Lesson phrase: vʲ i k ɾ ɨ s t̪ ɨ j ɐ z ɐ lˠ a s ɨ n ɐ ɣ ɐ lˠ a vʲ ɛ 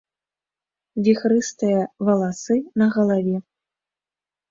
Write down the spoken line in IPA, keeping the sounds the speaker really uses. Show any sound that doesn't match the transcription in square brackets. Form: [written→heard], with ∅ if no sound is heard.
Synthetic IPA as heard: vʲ i [k→x] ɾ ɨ s t̪ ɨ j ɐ [z→v] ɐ lˠ a s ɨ n ɐ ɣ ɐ lˠ a vʲ ɛ